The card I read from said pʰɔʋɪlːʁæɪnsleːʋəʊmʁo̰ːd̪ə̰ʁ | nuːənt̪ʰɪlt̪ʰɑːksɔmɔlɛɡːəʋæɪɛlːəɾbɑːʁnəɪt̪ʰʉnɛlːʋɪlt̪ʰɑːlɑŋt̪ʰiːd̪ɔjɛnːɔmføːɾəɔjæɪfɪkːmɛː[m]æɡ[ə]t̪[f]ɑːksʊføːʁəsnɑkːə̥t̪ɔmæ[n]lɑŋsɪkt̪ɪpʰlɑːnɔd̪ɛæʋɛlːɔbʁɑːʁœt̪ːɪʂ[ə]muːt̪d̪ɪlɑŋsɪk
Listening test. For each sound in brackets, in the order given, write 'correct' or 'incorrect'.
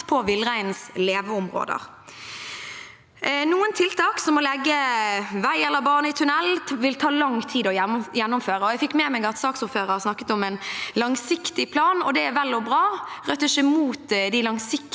correct, incorrect: ɑ, incorrect: s, correct, correct

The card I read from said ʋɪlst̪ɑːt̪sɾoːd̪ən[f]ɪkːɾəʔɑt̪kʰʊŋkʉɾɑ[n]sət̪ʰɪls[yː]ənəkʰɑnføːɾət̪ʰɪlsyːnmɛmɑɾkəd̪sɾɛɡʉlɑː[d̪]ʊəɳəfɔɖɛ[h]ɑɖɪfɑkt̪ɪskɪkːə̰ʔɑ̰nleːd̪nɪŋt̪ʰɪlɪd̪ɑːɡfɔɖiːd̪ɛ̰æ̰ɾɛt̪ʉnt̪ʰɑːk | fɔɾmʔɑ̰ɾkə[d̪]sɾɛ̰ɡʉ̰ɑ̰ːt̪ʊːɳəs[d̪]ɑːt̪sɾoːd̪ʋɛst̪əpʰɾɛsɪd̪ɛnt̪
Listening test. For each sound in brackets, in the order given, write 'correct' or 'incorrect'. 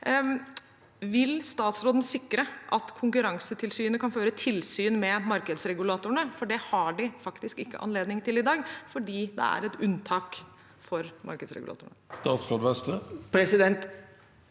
incorrect: s, incorrect: ŋ, correct, incorrect: t̪, correct, correct, incorrect: t̪

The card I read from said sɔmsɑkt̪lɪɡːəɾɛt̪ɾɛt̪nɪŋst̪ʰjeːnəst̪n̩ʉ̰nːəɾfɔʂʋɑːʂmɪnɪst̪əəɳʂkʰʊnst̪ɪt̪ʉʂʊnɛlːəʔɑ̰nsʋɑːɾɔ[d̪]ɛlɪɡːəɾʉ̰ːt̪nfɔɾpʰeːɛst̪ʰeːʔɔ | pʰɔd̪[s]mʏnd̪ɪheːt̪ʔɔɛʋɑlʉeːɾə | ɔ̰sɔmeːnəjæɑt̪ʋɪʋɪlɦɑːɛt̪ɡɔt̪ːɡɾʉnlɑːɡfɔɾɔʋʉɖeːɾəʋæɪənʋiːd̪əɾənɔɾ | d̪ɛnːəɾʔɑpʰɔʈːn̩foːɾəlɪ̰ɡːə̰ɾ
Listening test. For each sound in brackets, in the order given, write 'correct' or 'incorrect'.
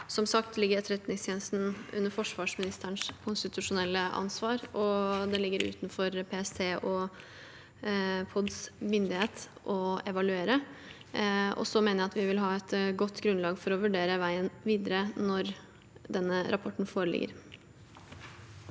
correct, correct

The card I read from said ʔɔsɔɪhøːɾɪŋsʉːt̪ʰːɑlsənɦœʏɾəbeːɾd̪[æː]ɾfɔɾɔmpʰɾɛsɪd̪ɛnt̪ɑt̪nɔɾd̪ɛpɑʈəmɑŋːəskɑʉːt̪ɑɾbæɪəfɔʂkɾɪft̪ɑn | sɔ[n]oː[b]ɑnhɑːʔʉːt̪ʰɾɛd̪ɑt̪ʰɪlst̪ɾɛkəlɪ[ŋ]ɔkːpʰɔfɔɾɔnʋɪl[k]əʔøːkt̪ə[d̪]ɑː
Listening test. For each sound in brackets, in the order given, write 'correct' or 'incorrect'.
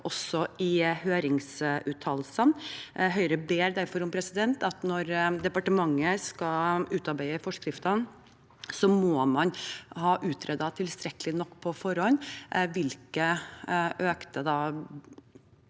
incorrect: æ, incorrect: m, incorrect: m, incorrect: n, correct, correct

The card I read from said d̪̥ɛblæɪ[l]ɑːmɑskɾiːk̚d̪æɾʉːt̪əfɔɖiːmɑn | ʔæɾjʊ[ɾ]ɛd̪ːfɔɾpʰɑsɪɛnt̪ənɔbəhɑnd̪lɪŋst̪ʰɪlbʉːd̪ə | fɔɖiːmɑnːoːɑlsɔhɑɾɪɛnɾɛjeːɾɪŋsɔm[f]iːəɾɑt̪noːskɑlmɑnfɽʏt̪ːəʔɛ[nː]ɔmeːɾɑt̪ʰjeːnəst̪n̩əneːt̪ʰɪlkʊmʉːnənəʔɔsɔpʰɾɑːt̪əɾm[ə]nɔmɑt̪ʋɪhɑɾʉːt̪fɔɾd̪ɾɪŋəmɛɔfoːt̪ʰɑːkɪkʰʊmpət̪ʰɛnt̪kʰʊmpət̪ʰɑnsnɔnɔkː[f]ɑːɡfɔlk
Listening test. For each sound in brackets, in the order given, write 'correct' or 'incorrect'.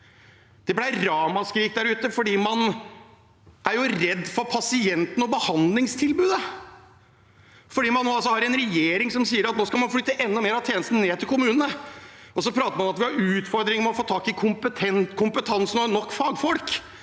incorrect: ɾ, correct, incorrect: s, correct, incorrect: ɑ, correct

